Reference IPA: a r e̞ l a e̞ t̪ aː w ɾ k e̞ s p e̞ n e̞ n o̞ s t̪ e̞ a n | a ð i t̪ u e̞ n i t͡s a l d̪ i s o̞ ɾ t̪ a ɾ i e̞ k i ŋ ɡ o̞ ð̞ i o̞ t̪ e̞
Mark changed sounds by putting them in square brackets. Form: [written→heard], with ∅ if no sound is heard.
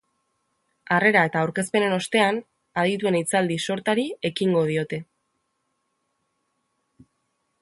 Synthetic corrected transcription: a r e̞ [l→ɾ] a e̞ t̪ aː w ɾ k e̞ s p e̞ n e̞ n o̞ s t̪ e̞ a n | a ð i t̪ u e̞ n i t͡s a l d̪ i s o̞ ɾ t̪ a ɾ i e̞ k i ŋ ɡ o̞ ð̞ i o̞ t̪ e̞